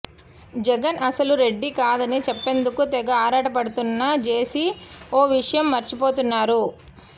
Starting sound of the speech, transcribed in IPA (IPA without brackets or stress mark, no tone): d͡ʒ